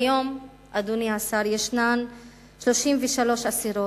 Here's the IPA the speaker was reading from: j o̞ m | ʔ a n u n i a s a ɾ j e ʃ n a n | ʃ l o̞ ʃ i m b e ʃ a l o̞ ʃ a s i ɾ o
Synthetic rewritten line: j o̞ m | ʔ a d u n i a s a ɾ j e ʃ n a n | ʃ l o̞ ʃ i m v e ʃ a l o̞ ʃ a s i ɾ o